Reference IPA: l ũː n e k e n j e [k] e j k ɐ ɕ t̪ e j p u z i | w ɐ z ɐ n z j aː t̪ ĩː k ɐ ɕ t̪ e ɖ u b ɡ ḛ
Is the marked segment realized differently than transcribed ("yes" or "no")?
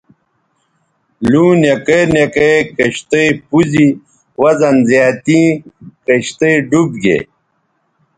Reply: no